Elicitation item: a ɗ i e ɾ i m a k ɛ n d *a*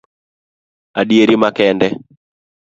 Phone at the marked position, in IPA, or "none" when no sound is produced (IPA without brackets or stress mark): ɛ